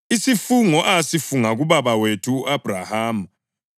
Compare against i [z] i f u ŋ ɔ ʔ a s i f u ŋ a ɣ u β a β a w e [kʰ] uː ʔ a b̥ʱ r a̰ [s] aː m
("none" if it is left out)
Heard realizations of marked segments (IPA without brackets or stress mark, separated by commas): s, tʰ, h